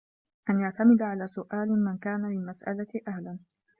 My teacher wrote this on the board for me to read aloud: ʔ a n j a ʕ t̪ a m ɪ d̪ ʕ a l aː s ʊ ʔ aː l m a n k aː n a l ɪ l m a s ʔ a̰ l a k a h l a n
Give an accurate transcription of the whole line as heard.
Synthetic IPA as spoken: ʔ a n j a ʕ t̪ a m ɪ d̪ ʕ a l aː s ʊ ʔ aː l m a n k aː n a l ɪ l m a s ʔ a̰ l a ʔ a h l a n